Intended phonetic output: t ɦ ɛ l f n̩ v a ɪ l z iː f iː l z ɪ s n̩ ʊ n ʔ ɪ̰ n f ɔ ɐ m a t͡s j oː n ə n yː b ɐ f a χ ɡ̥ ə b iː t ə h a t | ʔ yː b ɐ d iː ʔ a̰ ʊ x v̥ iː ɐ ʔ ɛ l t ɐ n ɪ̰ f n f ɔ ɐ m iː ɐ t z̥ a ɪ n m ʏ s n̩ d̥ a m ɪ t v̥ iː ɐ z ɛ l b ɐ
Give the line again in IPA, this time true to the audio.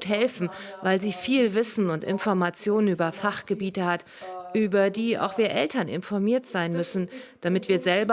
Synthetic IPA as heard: t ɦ ɛ l f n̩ v a ɪ l z iː f iː l v ɪ s n̩ ʊ n t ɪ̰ n f ɔ ɐ m a t͡s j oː n ə n yː b ɐ f a χ ɡ̥ ə b iː t ə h a t | ʔ yː b ɐ d iː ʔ a̰ ʊ x v̥ iː ɐ ʔ ɛ l t ɐ n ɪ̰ n f ɔ ɐ m iː ɐ t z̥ a ɪ n m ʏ s n̩ d̥ a m ɪ t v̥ iː ɐ z ɛ l b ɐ